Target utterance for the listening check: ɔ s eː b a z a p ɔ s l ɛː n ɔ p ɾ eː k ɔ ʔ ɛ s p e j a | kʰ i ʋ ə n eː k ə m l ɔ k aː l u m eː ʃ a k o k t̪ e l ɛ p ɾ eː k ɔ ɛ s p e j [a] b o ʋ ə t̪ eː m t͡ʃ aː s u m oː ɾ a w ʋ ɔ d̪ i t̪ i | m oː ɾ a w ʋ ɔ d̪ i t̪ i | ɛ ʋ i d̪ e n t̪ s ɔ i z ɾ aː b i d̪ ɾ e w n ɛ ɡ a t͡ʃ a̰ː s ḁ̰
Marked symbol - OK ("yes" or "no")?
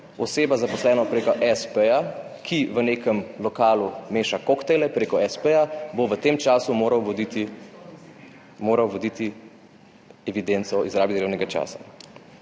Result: yes